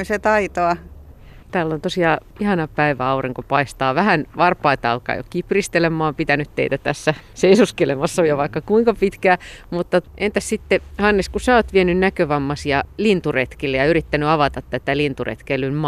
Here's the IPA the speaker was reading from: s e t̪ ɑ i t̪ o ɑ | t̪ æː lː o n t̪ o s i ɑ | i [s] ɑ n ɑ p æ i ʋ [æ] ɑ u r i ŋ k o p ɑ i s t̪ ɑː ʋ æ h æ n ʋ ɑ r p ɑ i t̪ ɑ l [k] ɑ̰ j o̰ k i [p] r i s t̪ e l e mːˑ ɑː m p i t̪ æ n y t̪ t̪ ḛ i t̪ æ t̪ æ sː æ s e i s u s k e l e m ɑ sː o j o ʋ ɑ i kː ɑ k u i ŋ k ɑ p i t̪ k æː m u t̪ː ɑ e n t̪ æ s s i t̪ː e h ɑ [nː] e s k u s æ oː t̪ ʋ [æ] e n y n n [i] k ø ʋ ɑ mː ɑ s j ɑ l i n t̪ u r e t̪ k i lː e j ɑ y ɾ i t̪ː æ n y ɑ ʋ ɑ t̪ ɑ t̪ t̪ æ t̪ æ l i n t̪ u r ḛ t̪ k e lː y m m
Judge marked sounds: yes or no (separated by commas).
no, yes, yes, yes, yes, no, no